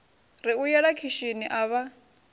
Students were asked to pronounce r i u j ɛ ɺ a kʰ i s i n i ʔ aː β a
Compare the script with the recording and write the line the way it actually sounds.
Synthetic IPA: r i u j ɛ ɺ a kʰ i ʃ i n i ʔ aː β a